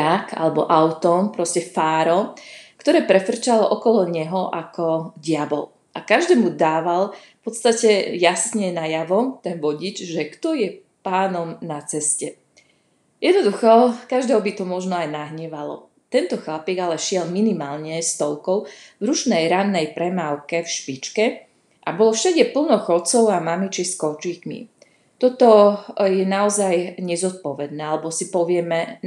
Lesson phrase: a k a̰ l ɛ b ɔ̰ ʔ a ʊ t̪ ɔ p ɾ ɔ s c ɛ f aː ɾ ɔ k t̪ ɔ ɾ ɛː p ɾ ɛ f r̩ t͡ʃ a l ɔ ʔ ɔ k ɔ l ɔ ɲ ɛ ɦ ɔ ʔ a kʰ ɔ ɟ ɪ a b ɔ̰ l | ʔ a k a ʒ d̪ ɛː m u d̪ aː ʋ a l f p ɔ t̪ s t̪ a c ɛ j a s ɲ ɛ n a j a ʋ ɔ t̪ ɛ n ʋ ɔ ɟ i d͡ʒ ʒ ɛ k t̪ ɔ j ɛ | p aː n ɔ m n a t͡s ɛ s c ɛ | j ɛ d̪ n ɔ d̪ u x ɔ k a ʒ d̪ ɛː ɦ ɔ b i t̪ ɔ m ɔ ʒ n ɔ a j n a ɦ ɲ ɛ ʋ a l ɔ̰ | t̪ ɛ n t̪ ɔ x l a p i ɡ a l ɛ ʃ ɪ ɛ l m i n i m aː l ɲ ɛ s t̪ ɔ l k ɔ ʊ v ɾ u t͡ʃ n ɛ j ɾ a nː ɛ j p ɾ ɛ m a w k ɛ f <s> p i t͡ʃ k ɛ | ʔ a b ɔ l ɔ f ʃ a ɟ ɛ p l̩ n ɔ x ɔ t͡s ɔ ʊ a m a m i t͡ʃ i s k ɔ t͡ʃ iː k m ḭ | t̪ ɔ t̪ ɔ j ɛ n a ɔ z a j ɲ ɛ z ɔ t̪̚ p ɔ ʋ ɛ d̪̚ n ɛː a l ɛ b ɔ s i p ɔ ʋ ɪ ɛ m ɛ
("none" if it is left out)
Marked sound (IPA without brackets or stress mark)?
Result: ʃ